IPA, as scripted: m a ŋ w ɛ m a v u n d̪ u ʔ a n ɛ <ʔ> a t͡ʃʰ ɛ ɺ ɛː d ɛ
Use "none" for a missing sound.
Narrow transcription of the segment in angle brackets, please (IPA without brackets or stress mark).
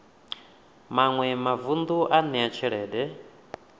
none